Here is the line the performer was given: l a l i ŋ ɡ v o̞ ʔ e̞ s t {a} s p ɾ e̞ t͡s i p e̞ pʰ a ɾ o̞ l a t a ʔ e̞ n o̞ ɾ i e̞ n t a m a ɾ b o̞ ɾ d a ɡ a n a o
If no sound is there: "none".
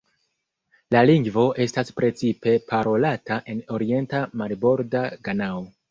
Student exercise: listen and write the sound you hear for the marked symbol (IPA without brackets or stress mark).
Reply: a